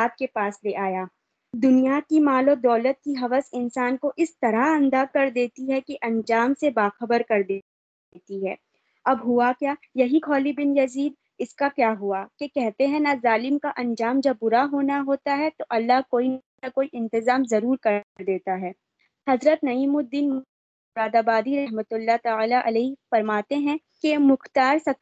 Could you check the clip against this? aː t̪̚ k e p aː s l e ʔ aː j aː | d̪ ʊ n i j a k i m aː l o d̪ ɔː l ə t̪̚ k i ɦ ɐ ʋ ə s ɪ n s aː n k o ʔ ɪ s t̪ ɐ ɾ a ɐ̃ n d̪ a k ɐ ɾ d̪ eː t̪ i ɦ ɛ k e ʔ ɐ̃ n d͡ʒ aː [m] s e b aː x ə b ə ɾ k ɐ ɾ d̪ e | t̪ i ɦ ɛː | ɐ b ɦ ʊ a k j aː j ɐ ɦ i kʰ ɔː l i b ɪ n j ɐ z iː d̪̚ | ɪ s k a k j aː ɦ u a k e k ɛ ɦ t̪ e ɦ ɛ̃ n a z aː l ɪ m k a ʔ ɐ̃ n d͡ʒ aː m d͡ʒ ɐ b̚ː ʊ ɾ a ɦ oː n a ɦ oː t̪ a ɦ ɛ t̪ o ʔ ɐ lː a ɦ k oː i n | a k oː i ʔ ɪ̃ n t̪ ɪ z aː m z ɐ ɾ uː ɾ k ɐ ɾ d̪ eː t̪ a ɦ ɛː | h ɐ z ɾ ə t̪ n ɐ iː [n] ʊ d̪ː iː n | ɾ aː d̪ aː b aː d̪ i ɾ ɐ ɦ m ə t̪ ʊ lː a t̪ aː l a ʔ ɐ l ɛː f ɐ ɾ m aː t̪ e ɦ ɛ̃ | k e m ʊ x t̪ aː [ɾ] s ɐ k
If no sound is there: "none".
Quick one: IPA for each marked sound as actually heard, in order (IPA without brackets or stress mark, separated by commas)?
m, m, ɾ